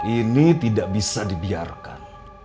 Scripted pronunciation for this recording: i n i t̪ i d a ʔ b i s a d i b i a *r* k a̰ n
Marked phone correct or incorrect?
correct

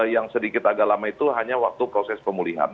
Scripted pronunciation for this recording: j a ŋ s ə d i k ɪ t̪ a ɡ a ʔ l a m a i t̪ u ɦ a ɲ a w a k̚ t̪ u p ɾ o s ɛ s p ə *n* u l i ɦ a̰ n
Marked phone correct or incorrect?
incorrect: m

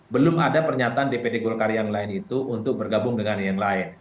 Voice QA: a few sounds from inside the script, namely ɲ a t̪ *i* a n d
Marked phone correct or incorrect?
incorrect: a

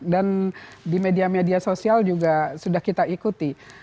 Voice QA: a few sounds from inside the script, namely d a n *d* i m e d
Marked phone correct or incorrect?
correct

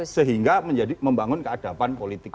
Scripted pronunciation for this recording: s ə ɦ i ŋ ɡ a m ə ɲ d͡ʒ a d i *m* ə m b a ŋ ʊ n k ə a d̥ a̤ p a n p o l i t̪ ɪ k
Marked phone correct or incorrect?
correct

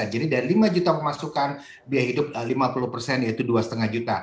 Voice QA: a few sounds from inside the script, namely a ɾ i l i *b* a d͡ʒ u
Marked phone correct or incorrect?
incorrect: m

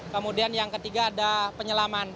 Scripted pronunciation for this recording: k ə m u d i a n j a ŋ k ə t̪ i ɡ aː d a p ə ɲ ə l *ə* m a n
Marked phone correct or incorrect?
incorrect: a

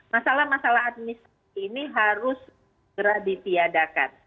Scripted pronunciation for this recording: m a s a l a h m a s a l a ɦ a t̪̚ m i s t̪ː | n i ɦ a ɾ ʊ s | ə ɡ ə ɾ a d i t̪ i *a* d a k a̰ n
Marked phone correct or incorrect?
correct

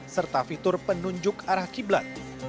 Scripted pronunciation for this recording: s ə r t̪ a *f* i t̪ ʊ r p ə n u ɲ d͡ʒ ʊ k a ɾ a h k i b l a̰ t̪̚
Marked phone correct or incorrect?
correct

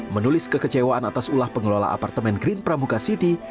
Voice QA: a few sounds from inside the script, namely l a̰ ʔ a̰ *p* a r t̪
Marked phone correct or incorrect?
correct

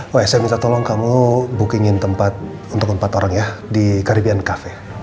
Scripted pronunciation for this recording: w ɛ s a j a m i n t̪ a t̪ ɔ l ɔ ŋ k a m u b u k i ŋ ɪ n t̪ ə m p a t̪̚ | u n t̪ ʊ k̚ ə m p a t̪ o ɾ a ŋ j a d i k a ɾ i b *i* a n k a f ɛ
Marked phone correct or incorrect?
correct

